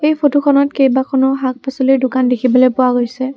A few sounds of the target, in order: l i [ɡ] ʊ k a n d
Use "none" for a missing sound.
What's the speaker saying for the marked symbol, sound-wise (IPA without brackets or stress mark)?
d